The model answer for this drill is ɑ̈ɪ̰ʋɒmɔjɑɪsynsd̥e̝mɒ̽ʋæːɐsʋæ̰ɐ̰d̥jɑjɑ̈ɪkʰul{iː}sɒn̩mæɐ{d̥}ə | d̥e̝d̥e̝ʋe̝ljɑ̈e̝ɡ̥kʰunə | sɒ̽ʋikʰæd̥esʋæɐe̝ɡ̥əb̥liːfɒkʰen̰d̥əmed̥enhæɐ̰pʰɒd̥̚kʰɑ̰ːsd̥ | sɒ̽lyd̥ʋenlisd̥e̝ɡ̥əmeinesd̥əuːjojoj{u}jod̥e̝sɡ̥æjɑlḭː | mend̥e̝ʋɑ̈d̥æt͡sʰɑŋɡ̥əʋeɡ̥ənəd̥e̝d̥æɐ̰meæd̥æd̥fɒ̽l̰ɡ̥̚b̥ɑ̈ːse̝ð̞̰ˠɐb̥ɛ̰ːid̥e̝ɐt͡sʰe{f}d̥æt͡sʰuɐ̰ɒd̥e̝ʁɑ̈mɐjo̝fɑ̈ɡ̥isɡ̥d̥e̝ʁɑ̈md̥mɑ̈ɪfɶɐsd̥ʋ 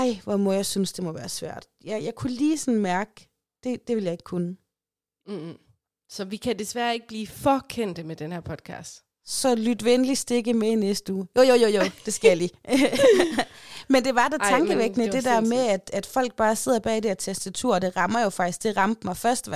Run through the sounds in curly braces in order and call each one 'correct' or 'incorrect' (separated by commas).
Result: correct, incorrect, incorrect, incorrect